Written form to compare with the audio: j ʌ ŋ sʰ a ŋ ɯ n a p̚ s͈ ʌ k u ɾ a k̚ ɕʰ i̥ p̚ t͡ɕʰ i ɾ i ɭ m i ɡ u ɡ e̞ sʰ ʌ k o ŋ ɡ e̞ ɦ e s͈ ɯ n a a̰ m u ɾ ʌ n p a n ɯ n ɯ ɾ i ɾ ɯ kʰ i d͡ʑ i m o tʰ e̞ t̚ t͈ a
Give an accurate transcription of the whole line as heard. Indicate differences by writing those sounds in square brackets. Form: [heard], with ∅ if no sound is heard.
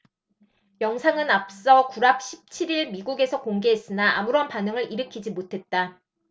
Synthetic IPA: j ʌ ŋ sʰ a ŋ ɯ n a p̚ s͈ ʌ k u ɾ a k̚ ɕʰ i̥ p̚ t͡ɕʰ i ɾ i ɭ m i ɡ u ɡ e̞ sʰ ʌ k o ŋ ɡ e̞ ɦ e s͈ ɯ n a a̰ m u ɾ ʌ n p a n ɯ [ŋ] ɯ ɾ i ɾ ɯ kʰ i d͡ʑ i m o tʰ e̞ t̚ t͈ a